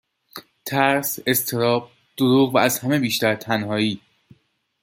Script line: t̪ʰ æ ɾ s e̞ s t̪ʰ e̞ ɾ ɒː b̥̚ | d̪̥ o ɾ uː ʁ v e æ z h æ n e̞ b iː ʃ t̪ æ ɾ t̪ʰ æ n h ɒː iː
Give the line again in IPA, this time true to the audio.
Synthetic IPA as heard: t̪ʰ æ ɾ s e̞ s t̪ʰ e̞ ɾ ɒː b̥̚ | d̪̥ o ɾ uː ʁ v æ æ z h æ m e̞ b iː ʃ t̪ æ ɾ t̪ʰ æ n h ɒː iː